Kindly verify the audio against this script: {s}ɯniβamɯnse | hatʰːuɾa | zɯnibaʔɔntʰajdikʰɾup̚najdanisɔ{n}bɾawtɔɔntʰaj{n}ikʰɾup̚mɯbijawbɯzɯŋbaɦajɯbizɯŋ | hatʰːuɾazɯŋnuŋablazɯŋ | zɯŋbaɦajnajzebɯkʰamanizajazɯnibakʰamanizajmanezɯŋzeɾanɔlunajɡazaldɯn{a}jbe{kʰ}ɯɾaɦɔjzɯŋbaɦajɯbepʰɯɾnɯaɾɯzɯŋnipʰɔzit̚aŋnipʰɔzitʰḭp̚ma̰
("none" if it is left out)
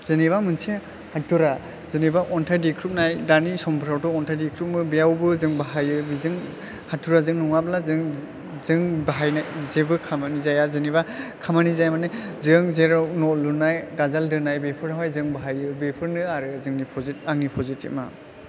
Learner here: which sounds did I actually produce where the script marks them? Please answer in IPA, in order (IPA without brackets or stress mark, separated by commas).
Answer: z, m, d, a, pʰ